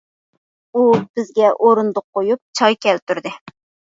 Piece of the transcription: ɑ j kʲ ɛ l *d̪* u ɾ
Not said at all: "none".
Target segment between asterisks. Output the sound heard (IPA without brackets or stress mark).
t̪